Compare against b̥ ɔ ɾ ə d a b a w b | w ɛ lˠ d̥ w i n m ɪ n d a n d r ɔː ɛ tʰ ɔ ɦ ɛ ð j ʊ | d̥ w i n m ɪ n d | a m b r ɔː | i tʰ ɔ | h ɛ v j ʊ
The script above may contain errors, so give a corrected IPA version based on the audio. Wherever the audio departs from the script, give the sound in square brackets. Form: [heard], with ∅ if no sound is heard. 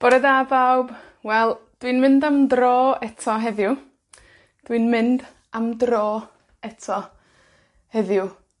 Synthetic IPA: b̥ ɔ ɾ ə d a b a w b | w ɛ lˠ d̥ w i n m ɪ n d a [m] d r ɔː ɛ tʰ ɔ ɦ ɛ ð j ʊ | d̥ w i n m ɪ n d | a m [d] r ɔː | [ɛ] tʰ ɔ | h ɛ [ð] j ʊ